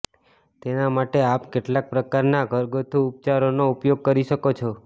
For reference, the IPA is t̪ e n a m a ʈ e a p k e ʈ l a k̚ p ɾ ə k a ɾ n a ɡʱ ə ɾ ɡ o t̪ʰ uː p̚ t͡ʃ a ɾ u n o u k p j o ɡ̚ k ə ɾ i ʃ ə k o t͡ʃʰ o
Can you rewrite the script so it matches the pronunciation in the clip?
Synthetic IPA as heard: t̪ e n a m a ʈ e a p k e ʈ l a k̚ p ɾ ə k a ɾ n a ɡʱ ə ɾ ɡ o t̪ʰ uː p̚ t͡ʃ a ɾ o n o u p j o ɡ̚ k ə ɾ i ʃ ə k o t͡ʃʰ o